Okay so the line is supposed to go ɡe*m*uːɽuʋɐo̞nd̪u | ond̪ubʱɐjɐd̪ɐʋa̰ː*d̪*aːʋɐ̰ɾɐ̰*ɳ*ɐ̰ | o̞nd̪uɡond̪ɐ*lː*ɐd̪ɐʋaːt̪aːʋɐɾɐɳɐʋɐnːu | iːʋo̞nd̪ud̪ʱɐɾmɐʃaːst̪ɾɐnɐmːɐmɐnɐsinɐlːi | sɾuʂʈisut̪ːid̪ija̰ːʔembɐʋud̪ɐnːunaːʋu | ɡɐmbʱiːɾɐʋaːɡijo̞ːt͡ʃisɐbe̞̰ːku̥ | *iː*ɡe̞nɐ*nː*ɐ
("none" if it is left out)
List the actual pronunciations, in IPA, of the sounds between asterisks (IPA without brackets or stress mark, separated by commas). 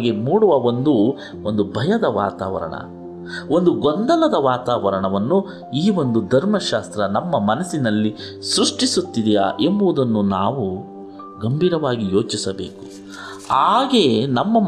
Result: m, t̪, ɳ, l, aː, mː